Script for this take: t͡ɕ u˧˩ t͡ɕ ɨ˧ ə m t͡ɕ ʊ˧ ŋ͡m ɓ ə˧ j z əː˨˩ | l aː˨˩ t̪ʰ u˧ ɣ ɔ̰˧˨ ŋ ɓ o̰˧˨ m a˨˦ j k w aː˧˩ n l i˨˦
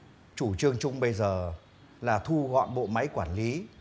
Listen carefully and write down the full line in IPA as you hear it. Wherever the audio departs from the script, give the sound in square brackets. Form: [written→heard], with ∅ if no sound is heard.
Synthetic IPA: t͡ɕ u˧˩ t͡ɕ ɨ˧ ə [m→ŋ] t͡ɕ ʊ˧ ŋ͡m ɓ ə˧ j z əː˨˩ | l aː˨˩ t̪ʰ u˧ ɣ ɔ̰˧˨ [ŋ→n] ɓ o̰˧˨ m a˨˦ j k w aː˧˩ n l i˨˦